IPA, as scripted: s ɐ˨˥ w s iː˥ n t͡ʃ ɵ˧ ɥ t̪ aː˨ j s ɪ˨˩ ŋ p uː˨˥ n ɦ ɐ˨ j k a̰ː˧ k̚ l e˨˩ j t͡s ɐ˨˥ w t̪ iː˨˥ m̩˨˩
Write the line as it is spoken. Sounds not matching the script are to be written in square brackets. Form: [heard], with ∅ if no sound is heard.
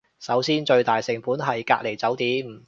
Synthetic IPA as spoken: s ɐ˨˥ w s iː˥ n t͡ʃ ɵ˧ ɥ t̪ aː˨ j s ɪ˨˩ ŋ p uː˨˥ n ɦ ɐ˨ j k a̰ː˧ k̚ l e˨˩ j t͡s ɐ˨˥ w t̪ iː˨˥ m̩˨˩